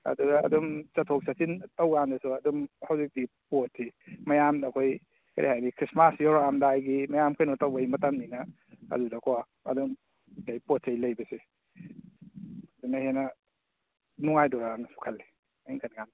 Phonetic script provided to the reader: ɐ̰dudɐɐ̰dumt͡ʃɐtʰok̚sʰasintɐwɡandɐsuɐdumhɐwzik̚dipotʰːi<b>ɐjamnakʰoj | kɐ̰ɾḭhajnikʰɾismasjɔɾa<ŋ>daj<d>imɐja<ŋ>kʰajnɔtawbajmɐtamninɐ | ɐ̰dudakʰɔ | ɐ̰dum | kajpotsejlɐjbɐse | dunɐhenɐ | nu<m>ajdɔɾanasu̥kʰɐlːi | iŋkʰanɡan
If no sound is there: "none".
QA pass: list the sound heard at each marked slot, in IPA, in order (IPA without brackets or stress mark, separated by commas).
m, m, ɡ, m, ŋ